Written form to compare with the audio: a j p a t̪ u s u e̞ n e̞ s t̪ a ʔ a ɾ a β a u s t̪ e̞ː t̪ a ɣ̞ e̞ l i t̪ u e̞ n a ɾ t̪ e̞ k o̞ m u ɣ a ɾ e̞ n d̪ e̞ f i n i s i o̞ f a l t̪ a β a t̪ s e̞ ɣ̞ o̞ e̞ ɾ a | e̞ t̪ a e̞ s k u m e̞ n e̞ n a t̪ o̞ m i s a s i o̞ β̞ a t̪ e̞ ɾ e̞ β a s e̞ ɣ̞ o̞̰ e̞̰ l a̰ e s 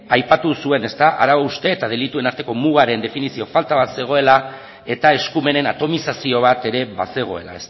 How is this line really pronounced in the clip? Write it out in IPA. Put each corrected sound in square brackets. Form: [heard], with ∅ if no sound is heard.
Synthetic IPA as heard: a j p a t̪ u s u e̞ n e̞ s t̪ a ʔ a ɾ a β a u s t̪ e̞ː t̪ a [ð̞] e̞ l i t̪ u e̞ n a ɾ t̪ e̞ k o̞ m u ɣ a ɾ e̞ n d̪ e̞ f i n i s i o̞ f a l t̪ a β a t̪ s e̞ ɣ̞ o̞ e̞ [l] a | e̞ t̪ a e̞ s k u m e̞ n e̞ n a t̪ o̞ m i s a s i o̞ β̞ a t̪ e̞ ɾ e̞ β a s e̞ ɣ̞ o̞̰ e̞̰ l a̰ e s